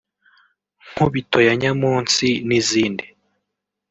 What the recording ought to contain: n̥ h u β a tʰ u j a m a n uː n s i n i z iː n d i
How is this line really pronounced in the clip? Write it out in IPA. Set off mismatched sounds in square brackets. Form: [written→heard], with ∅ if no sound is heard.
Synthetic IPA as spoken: [n̥→ŋ̥] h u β [a→i] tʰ [u→o] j a [m→ɲ] a [n→m] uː n s i n i z iː n d i